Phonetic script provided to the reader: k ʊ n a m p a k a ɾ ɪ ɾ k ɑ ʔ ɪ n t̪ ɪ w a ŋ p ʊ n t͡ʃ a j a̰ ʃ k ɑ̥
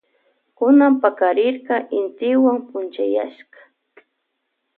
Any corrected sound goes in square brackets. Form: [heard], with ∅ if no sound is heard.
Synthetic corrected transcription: k ʊ n a m p a k a ɾ ɪ ɾ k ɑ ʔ ɪ n t̪ ɪ w a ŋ p ʊ n t͡ʃ a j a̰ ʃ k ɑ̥

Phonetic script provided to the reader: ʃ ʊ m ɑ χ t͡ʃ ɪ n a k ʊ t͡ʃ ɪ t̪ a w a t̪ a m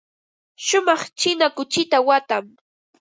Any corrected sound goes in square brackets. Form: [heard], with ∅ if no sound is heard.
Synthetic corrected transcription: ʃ ʊ m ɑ χ t͡ʃ ɪ n a k ʊ t͡ʃ ɪ t̪ a w a t̪ a m

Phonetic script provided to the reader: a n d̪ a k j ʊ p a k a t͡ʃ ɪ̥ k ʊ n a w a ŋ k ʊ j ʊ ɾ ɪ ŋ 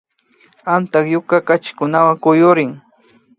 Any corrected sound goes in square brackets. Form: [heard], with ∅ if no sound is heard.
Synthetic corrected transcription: a n [t̪] a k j ʊ [k] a k a t͡ʃ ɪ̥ k ʊ n a w a ŋ k ʊ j ʊ ɾ ɪ ŋ

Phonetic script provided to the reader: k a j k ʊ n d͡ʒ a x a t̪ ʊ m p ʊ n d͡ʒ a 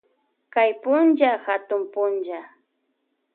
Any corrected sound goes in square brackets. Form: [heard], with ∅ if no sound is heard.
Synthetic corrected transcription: k a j [p] ʊ n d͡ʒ a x a t̪ ʊ m p ʊ n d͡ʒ a

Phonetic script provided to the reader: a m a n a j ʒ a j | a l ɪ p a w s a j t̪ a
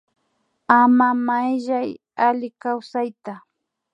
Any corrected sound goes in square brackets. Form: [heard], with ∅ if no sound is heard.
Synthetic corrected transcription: a m a [m] a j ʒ a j | a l ɪ [k] a w s a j t̪ a

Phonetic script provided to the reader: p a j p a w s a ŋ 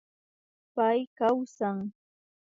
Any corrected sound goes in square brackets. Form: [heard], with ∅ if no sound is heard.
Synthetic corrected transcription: p a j [k] a w s a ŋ

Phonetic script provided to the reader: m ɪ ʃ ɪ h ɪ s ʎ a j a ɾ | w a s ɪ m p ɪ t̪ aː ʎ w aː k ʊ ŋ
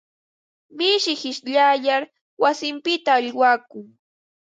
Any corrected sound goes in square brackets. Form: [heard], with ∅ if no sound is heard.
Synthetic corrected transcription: m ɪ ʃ ɪ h ɪ [ʃ] ʎ a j a ɾ | w a s ɪ m p ɪ t̪ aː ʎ w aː k ʊ ŋ

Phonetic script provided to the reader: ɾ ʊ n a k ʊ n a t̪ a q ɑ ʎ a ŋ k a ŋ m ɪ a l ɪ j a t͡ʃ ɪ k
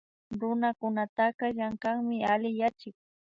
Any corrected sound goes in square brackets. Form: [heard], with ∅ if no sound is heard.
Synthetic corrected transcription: ɾ ʊ n a k ʊ n a t̪ a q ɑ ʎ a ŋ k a ŋ m ɪ a l ɪ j a t͡ʃ ɪ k

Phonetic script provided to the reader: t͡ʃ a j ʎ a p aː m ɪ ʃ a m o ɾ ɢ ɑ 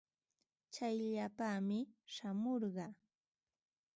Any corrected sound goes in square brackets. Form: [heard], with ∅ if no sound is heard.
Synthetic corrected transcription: t͡ʃ a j ʎ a p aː m ɪ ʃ a m o ɾ ɢ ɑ

